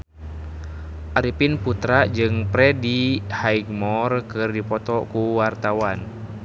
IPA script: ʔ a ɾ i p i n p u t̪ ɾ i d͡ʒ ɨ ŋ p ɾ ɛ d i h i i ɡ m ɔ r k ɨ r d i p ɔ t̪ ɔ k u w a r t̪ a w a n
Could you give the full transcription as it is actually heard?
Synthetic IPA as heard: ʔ a ɾ i p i n p u t̪ ɾ a d͡ʒ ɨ ŋ p ɾ ɛ d i h a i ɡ m ɔ r k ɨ r d i p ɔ t̪ ɔ k u w a r t̪ a w a n